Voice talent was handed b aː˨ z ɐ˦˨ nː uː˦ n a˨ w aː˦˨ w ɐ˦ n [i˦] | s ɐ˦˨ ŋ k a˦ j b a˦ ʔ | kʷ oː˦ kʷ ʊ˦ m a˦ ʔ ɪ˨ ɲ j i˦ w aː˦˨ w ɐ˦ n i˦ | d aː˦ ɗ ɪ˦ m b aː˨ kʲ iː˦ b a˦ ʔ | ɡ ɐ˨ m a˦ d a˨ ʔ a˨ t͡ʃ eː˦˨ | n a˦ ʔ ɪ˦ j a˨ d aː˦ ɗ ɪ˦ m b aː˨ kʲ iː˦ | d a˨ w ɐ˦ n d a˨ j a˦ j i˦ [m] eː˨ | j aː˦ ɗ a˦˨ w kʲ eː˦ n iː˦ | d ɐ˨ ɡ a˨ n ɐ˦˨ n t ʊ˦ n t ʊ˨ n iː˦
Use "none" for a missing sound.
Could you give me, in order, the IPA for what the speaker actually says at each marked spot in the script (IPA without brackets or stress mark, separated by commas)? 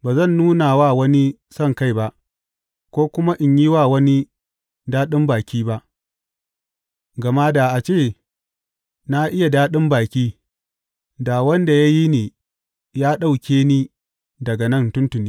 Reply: i˦, n